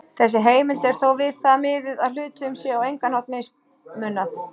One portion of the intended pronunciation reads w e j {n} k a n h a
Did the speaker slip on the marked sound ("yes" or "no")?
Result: yes